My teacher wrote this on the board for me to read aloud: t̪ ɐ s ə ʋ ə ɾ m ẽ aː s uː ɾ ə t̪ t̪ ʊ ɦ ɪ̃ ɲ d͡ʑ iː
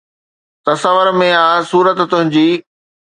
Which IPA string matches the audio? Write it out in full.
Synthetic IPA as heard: t̪ ɐ s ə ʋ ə ɾ m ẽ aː s uː ɾ ə t̪ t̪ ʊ ɦ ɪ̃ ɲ d͡ʑ iː